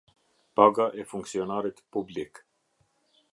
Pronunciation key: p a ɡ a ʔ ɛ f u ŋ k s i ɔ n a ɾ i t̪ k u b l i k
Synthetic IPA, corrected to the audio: p a ɡ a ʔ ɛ f u ŋ k s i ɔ n a ɾ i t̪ p u b l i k